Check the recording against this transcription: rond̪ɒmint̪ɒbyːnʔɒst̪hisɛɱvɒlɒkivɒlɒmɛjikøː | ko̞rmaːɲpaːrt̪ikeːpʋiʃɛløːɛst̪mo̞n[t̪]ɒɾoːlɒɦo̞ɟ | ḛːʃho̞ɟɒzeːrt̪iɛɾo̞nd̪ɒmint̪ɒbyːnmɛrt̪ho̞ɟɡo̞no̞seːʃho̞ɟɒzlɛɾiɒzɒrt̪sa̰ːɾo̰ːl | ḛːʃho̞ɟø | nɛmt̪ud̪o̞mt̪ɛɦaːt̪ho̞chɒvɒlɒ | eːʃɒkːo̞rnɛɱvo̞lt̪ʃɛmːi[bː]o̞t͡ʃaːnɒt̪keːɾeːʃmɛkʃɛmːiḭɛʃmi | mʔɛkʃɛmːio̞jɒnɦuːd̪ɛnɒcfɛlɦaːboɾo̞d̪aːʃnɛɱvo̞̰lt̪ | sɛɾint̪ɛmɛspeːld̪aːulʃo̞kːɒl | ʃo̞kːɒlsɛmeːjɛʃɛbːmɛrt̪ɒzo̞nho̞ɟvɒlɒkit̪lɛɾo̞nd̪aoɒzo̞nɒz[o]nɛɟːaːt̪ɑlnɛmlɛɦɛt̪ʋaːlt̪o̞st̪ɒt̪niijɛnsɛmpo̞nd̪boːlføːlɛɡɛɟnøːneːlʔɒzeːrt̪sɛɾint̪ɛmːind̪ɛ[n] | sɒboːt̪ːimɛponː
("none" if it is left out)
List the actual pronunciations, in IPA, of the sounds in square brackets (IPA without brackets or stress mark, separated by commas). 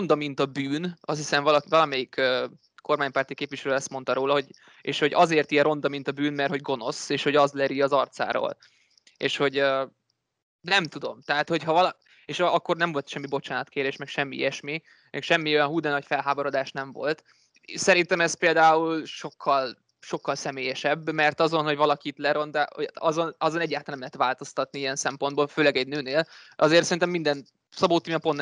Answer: t̪, b, o, n